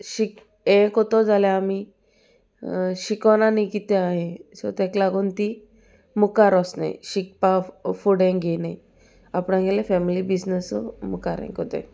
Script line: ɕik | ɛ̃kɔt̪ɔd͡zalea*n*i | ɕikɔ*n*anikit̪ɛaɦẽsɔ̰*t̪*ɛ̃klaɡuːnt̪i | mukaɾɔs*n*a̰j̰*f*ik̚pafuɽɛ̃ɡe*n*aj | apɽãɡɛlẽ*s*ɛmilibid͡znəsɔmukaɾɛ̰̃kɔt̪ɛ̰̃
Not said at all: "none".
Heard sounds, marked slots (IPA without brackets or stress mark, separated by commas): m, n, t̪, n, ɕ, n, f